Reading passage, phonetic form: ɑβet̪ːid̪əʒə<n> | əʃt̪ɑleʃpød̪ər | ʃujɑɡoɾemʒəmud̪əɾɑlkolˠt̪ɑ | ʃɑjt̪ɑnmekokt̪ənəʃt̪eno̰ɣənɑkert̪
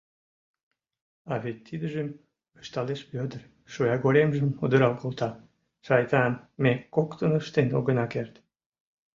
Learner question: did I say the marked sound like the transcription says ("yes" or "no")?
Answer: no